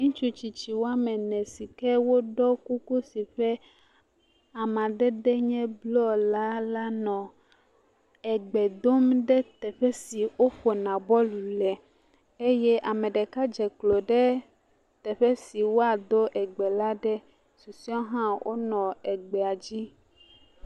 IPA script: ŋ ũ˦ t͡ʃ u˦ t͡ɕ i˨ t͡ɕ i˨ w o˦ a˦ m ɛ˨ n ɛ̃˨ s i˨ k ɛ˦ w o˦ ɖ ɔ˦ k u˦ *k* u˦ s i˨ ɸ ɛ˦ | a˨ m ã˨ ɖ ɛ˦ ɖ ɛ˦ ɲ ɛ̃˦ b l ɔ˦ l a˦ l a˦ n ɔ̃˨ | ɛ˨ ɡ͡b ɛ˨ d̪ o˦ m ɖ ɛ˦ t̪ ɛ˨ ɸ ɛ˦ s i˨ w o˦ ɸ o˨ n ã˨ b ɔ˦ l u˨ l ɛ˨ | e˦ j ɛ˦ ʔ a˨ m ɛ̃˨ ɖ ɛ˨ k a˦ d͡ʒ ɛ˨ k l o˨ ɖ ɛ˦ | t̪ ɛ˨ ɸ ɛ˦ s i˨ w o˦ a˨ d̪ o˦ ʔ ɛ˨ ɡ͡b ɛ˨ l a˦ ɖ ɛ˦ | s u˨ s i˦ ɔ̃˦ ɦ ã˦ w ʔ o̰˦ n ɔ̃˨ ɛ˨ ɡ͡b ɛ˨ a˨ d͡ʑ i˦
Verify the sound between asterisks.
correct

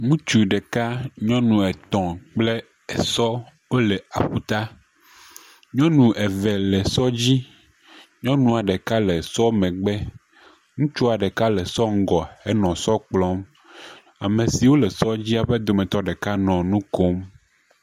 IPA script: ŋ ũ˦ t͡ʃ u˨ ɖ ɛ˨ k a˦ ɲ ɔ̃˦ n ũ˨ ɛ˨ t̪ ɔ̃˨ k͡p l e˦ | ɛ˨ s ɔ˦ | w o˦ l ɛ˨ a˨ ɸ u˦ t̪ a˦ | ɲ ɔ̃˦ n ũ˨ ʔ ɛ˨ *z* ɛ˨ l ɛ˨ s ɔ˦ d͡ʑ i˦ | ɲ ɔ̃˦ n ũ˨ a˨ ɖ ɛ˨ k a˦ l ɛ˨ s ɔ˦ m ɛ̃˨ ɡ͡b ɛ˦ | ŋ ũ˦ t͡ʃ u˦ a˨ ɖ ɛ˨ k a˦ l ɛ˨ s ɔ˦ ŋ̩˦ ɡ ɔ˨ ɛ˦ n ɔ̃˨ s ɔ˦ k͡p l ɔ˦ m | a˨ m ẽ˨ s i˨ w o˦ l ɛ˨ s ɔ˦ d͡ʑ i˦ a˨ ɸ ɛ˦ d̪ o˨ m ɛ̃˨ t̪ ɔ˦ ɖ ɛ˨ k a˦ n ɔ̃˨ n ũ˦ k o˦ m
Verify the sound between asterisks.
incorrect: v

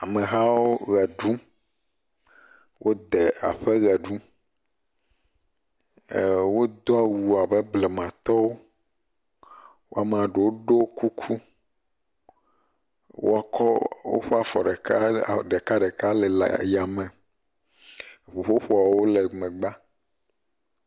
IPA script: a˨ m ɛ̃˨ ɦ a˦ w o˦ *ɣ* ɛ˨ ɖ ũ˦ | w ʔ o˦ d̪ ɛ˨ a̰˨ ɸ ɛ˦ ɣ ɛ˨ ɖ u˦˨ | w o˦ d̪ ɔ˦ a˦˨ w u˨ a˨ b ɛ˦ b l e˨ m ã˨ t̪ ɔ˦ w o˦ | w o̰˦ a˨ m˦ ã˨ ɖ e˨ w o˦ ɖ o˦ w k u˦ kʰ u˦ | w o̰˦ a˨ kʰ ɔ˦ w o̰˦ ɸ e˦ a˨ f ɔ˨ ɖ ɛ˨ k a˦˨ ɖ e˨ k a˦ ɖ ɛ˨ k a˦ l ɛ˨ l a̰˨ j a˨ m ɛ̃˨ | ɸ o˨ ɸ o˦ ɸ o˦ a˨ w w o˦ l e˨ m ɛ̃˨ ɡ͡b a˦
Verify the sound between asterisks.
correct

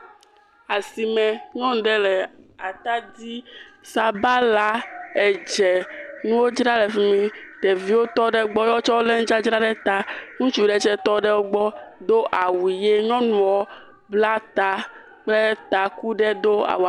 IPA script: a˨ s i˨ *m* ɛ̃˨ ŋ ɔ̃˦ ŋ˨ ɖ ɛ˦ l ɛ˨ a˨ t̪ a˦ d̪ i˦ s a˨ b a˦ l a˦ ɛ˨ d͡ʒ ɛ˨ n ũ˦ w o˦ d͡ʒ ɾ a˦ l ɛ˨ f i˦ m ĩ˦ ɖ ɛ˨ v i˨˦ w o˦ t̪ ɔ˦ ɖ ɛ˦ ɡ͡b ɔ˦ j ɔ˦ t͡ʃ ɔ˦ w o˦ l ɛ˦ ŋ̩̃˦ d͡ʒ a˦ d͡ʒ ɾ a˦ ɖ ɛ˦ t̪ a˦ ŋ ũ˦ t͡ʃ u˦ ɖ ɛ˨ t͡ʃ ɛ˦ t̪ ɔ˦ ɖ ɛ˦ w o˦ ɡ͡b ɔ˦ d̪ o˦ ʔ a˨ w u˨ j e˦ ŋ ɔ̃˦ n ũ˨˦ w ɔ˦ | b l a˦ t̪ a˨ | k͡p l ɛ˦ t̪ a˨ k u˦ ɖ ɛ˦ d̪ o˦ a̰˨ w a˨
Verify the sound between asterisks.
correct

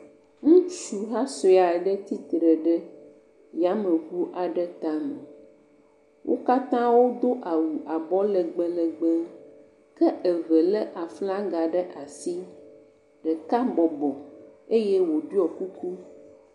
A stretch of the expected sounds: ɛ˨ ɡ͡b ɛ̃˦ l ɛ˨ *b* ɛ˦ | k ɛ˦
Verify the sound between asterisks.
incorrect: ɡ͡b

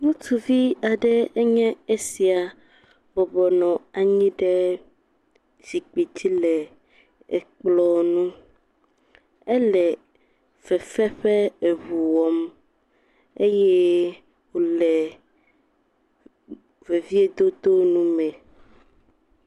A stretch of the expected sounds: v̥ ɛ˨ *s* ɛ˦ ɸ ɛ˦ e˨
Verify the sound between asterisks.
incorrect: f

